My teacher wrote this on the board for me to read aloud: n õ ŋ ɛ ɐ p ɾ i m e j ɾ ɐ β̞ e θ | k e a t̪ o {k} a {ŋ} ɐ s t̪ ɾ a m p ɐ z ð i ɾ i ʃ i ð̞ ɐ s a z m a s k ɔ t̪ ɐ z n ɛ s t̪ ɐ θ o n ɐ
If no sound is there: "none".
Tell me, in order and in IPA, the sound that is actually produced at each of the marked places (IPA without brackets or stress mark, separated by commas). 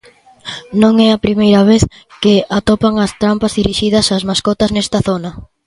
p, ŋ